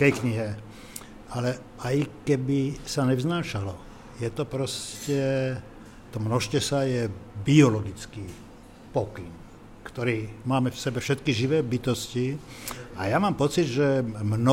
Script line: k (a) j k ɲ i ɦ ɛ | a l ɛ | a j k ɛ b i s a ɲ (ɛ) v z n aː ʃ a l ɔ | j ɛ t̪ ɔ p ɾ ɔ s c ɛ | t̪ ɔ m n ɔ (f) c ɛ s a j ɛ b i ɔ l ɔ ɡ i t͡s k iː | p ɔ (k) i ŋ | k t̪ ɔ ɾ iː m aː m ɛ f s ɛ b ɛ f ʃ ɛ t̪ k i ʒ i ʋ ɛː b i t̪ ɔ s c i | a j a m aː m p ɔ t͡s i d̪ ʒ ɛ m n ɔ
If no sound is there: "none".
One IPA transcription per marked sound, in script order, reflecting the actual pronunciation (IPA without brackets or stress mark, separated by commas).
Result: ɛ, ɛ, ʃ, k